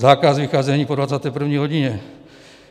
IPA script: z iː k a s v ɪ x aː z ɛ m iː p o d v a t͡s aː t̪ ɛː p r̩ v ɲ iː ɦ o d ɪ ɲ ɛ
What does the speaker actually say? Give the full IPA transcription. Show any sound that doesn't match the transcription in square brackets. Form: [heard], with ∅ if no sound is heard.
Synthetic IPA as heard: z [aː] k a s v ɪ x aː z ɛ [ɲ] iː p o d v a t͡s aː t̪ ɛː p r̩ v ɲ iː ɦ o [ɟ] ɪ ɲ ɛ